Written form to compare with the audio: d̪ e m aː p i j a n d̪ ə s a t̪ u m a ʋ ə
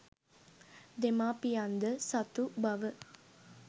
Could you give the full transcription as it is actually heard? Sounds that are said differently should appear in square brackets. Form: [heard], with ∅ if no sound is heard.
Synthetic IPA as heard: d̪ e m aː p i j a n d̪ ə s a t̪ u [b] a ʋ ə